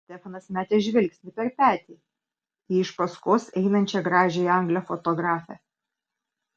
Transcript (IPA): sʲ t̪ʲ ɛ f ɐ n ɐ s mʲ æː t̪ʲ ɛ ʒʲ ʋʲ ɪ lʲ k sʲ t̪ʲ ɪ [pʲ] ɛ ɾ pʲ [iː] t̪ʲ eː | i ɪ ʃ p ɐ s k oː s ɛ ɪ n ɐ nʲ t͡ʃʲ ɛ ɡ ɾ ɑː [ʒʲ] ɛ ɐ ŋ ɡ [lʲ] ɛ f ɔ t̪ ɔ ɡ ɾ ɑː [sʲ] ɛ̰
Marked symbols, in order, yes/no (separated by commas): yes, no, yes, yes, no